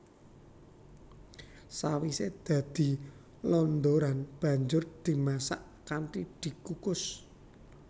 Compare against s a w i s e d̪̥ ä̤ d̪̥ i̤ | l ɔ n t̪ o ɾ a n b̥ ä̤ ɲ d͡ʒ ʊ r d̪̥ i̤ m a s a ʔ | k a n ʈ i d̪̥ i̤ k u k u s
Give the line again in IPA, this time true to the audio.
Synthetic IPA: s a w i s e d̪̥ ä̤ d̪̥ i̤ | l ɔ n d̪ o ɾ a n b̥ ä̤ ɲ d͡ʒ ʊ r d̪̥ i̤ m a s a ʔ | k a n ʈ i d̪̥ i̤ k u k ʊ s